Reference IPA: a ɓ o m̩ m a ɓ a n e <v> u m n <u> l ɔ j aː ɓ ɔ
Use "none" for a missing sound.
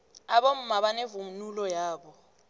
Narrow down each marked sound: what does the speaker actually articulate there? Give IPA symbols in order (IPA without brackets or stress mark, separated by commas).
v, u